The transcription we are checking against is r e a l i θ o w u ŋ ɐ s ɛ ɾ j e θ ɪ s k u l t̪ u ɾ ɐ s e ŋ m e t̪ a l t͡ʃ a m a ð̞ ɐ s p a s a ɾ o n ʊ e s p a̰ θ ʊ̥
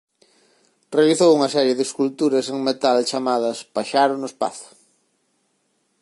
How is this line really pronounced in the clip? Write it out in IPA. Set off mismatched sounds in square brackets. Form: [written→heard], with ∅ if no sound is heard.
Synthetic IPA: r e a l i θ o w u ŋ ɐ s ɛ ɾ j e [θ→ð] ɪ s k u l t̪ u ɾ ɐ s e ŋ m e t̪ a l t͡ʃ a m a ð̞ ɐ s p a [s→ʃ] a ɾ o n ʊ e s p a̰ θ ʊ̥